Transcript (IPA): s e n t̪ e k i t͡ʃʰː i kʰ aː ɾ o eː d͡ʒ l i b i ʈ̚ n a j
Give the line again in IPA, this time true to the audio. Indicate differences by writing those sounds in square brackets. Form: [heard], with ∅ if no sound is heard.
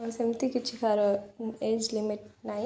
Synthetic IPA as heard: s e [m] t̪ [i] k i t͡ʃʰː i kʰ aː ɾ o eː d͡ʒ l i [m] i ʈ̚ n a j